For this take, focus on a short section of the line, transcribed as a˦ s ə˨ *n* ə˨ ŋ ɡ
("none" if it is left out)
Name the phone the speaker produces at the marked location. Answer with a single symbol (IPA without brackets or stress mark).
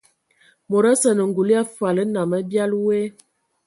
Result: n